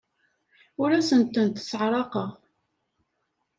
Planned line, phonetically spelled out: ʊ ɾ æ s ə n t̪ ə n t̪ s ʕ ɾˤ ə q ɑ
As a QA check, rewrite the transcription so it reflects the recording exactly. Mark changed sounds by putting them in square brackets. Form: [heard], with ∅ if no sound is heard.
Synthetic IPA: ʊ ɾ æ s ə n t̪ ə n t̪ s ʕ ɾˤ [ɑ] q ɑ

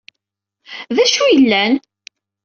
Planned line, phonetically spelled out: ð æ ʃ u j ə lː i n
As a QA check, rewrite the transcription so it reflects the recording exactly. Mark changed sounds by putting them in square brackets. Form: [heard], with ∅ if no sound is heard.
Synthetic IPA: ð æ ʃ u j ə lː [æ] n

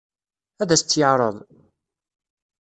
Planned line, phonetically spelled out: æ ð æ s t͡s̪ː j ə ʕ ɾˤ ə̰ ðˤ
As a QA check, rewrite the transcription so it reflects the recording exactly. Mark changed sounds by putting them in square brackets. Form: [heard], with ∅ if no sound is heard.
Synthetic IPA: æ ð æ s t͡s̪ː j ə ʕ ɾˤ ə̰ ðˤ

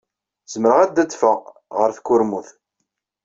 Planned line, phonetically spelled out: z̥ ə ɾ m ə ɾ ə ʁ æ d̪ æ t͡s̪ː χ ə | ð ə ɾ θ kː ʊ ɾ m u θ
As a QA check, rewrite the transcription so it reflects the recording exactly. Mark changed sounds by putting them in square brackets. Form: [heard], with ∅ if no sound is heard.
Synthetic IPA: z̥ ə [∅] m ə ɾ ə ʁ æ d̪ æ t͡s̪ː [f] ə | [ʁ] ə ɾ θ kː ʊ ɾ m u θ

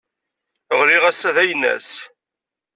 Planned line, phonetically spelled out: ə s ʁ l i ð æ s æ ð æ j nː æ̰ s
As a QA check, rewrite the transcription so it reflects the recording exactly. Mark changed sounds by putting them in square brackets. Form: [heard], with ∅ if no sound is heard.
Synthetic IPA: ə [∅] ʁ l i [ʁ] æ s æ ð æ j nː æ̰ s

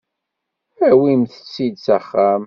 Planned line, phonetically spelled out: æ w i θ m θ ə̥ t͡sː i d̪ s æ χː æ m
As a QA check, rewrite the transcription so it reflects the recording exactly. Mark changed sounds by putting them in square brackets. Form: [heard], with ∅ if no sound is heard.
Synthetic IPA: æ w i [∅] m θ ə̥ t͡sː i d̪ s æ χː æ m

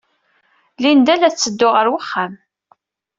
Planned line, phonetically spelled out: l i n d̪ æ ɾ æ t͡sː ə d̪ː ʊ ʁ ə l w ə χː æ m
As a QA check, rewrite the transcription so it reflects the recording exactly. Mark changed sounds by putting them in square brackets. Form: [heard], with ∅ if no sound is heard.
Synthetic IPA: l i n d̪ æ [l] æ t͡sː ə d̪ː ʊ ʁ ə [ɾ] w ə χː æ m

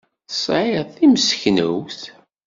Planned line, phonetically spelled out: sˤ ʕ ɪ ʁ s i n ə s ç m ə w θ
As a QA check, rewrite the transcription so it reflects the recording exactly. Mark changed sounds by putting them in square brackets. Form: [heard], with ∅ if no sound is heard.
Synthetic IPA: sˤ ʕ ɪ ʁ [θ] i [m] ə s ç [n] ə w θ

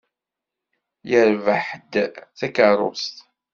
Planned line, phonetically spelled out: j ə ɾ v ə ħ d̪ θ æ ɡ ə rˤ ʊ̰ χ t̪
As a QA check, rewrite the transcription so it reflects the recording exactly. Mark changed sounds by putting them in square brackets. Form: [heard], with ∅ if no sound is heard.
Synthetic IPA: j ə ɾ v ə ħ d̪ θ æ [k] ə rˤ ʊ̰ [s] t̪

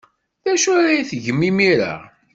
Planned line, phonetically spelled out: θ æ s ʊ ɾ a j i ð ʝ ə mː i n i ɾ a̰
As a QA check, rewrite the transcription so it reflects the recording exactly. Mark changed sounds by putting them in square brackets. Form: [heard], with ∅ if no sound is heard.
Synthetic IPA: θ æ [ʃ] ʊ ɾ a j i [θ] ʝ ə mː i [m] i ɾ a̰

